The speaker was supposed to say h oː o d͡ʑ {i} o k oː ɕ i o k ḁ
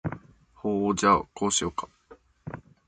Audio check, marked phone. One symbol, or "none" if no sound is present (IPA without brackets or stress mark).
a